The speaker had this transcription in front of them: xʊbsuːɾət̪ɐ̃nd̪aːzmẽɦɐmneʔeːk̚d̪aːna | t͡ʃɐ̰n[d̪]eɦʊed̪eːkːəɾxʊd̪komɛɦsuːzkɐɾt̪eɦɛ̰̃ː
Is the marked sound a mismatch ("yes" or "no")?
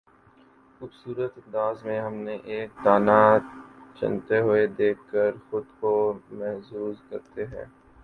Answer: yes